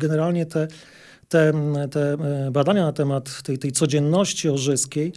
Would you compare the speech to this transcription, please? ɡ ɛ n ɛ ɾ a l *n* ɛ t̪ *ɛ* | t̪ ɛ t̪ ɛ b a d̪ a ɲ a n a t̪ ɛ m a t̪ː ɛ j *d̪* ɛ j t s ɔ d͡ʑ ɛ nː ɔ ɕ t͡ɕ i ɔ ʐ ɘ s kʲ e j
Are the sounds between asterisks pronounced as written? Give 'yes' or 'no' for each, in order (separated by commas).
no, yes, no